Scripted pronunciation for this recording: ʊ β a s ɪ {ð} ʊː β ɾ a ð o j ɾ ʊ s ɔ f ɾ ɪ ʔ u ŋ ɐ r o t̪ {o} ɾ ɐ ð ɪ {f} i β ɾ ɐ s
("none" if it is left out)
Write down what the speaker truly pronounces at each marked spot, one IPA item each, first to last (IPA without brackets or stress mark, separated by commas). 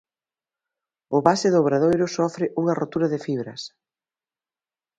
ð, u, f